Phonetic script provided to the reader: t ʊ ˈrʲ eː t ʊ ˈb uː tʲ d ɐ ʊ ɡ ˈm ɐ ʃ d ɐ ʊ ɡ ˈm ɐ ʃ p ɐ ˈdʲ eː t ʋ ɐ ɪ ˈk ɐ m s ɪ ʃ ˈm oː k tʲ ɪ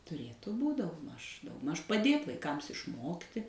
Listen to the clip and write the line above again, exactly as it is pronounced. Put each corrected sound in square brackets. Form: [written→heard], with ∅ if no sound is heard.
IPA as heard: t ʊ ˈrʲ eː t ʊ ˈb uː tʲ d ɐ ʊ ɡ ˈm ɐ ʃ d ɐ ʊ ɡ ˈm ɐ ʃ p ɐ ˈdʲ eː t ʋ ɐ ɪ ˈk ɐ m s ɪ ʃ ˈm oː k tʲ ɪ